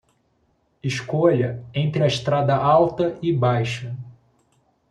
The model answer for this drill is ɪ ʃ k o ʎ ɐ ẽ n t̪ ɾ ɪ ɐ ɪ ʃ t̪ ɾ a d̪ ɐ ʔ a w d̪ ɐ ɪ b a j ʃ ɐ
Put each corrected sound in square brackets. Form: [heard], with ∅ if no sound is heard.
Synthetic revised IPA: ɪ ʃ k o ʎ ɐ ẽ n t̪ ɾ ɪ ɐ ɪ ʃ t̪ ɾ a d̪ ɐ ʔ a w [t̪] ɐ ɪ b a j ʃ ɐ